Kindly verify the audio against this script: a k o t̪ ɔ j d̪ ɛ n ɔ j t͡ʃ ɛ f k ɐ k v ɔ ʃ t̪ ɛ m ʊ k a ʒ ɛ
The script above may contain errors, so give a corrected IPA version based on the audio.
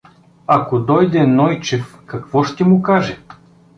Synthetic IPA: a k o d̪ ɔ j d̪ ɛ n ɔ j t͡ʃ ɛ f k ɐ k v ɔ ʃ t̪ ɛ m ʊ k a ʒ ɛ

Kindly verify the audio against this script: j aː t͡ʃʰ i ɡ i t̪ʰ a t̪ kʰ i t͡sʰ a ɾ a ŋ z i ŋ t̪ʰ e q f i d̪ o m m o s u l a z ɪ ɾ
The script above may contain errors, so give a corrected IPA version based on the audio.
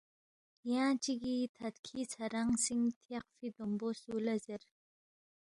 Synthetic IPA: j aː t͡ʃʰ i ɡ i t̪ʰ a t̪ kʰ i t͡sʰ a ɾ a ŋ s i ŋ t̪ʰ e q f i d̪ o m b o s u l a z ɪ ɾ

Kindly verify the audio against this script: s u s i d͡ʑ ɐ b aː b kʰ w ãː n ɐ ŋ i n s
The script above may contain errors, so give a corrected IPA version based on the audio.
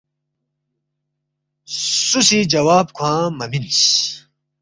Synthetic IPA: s u s i d͡ʑ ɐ w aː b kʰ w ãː m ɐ m i n s

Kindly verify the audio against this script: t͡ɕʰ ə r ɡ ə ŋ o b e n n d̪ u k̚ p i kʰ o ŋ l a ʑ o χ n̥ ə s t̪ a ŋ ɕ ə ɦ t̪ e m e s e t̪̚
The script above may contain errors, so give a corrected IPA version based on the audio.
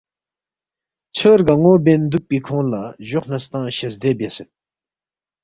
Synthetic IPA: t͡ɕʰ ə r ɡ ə ŋ o b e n n d̪ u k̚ p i kʰ o ŋ l a ʑ o χ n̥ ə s t̪ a ŋ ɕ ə ɦ d̪ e b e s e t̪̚

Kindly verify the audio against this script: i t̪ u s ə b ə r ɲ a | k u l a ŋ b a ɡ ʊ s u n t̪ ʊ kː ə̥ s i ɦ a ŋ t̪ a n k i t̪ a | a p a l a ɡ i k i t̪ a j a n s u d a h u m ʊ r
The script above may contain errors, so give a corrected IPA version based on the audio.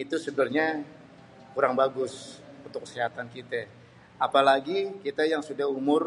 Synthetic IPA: i t̪ u s ə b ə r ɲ a | k u ɾ a ŋ b a ɡ ʊ s u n t̪ ʊ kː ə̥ s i ɦ a t̪ a n k i t̪ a | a p a l a ɡ i k i t̪ a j a ŋ s u d a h u m ʊ r

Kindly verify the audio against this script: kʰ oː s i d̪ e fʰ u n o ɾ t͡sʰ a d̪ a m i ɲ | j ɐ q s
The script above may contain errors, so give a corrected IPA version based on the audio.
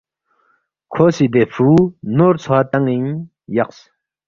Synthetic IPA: kʰ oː s i d̪ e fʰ u n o ɾ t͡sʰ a t̪ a ŋ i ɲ | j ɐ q s

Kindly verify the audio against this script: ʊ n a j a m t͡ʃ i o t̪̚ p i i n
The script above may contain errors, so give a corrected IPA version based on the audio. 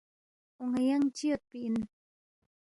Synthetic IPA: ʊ ŋ a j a ŋ t͡ʃ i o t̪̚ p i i n

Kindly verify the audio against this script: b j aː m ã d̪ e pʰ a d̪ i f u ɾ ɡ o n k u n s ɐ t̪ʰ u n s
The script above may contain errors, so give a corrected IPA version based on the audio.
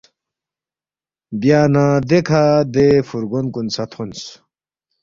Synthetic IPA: b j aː n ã d̪ e kʰ a d̪ e f u ɾ ɡ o n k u n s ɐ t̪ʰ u n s

